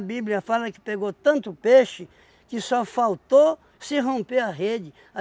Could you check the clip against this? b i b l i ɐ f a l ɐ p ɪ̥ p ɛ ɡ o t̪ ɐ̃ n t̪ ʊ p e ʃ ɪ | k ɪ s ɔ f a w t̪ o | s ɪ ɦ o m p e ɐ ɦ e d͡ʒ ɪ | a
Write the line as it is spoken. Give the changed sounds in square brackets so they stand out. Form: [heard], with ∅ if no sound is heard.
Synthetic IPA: b i b l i ɐ f a l ɐ [k] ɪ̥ p [e] ɡ o t̪ ɐ̃ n t̪ ʊ p e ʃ ɪ | k ɪ s ɔ f a w t̪ o | s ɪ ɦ [õ] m p e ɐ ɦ e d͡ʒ ɪ | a